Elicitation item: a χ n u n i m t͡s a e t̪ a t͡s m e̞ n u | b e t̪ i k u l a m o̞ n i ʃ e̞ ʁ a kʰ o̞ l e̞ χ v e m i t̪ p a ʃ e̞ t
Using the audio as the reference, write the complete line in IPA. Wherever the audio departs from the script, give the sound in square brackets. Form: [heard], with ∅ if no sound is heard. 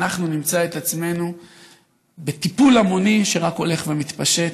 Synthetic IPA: a χ n u n i m t͡s a e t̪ a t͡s m e̞ n u | b e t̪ i [p] u l a m o̞ n i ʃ e̞ ʁ a [k] o̞ l e̞ χ v e m i t̪ p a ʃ e̞ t

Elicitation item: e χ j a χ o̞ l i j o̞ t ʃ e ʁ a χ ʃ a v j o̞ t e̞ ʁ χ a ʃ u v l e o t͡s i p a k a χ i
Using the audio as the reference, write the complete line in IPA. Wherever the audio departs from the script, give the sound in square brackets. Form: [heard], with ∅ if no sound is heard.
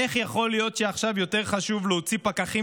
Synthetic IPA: e χ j a χ o̞ l i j o̞ t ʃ e [∅] a χ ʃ a v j o̞ t e̞ ʁ χ a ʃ u v l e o t͡s i p a k a χ i

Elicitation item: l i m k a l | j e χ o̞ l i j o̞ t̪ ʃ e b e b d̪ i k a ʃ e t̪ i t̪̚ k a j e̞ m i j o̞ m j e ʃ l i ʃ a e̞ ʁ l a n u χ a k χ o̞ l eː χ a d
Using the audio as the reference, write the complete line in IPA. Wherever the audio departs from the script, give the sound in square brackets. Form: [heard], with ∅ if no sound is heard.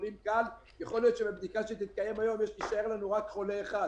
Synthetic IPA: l i m k a l | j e χ o̞ l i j o̞ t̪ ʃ e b e b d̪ i k a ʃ e t̪ i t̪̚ k a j e̞ m [a] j o̞ m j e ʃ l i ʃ a e̞ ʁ l a n u [ʁ] a k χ o̞ l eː χ a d

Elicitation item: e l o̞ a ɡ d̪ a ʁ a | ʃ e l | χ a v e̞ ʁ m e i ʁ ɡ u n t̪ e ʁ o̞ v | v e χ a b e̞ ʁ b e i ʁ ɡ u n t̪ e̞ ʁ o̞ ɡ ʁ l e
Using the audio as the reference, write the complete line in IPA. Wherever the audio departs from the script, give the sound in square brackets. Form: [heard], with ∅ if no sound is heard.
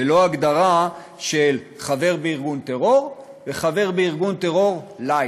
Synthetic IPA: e l o̞ a ɡ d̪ a ʁ a | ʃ e l | χ a v e̞ ʁ [b] e i ʁ ɡ u n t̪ e ʁ o̞ [ʁ] | v e χ a [v] e̞ ʁ b e i ʁ ɡ u n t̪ e̞ ʁ o̞ [∅] ʁ l [a]

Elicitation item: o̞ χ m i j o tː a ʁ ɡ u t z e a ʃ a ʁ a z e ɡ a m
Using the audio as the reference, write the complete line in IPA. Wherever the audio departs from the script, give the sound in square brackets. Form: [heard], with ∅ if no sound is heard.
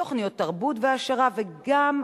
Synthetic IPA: o̞ χ [n] i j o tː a ʁ [b] u t [v] e a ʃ a ʁ a [v] e ɡ a m

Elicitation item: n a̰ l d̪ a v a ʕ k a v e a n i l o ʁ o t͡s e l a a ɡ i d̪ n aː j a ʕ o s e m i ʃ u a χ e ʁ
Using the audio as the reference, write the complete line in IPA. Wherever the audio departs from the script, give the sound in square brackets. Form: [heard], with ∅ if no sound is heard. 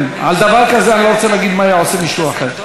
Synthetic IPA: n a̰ l d̪ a v a [ʁ] k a [z] e a n i l o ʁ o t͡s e l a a ɡ i d̪ [m] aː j a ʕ o s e m i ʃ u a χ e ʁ

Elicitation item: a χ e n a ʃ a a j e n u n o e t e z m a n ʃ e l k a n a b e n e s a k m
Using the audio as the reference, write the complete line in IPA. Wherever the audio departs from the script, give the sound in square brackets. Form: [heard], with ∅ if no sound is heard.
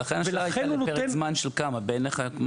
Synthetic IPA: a χ e n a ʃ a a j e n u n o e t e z m a n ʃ e l k a [m] a b e n e [χ] a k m

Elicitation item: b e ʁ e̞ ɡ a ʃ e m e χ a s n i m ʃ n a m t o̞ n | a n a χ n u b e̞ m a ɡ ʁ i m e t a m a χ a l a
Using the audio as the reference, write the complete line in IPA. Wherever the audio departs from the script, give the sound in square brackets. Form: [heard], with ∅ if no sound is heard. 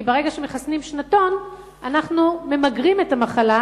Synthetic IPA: b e ʁ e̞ ɡ a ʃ e m e χ a s n i m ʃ n a [∅] t o̞ n | a n a χ n u [m] e̞ m a ɡ ʁ i m e t a m a χ a l a

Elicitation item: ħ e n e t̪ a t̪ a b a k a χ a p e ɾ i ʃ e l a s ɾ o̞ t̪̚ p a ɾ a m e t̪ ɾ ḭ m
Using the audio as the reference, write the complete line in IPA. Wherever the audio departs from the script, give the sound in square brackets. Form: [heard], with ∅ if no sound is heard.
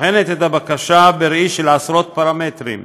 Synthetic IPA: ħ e n e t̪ [e] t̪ a b a k a [ʃ] a [b] e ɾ i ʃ e l a s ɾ o̞ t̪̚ p a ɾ a m e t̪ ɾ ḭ m

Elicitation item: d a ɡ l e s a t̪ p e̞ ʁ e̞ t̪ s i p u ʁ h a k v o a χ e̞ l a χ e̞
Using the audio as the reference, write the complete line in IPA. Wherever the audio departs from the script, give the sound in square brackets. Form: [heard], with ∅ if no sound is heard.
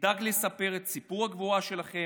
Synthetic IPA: d a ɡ l e s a [∅] p e̞ ʁ e̞ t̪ s i p u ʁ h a [ɡ] v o a [ʃ] e̞ l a χ e̞

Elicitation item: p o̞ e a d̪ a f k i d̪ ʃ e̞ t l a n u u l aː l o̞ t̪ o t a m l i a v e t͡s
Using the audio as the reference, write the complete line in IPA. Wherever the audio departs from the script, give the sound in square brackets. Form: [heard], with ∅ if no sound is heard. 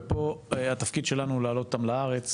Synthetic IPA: p o̞ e a [t̪] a f k i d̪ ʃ e̞ [∅] l a n u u l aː l o̞ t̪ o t a m l [a] a [ʁ] e t͡s

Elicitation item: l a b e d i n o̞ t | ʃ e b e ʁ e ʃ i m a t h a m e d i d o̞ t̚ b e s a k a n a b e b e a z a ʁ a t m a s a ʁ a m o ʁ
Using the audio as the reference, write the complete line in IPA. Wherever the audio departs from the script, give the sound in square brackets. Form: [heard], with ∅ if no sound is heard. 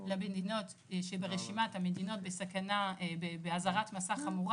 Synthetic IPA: l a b e d i n o̞ t | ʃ e b e ʁ e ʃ i m a t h a m e d i [n] o̞ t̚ b e s a k a n a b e b e a z a ʁ a t m a s a [χ] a m [u] ʁ

